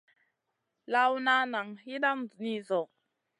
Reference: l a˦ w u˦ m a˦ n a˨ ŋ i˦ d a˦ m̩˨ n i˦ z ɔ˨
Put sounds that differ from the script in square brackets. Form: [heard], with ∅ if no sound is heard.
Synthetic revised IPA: l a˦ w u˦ [n] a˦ n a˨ ŋ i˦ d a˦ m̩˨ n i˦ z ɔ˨